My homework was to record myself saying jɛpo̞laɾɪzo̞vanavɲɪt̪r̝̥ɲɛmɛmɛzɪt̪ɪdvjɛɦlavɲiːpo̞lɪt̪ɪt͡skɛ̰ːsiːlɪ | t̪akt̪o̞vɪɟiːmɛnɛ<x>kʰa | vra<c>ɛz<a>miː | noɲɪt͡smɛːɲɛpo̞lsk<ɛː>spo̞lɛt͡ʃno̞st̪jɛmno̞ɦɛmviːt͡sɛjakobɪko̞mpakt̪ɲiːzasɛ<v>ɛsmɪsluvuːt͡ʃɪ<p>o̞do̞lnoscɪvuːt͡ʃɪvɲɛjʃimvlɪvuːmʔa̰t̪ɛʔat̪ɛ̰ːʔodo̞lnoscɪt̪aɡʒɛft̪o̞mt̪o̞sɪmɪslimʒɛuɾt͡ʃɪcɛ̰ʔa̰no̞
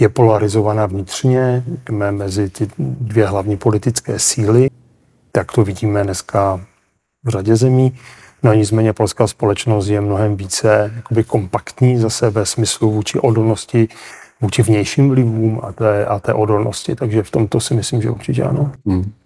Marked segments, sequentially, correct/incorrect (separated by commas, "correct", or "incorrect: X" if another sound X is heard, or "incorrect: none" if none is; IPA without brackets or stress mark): incorrect: s, incorrect: ɟ, incorrect: ɛ, incorrect: aː, correct, incorrect: ʔ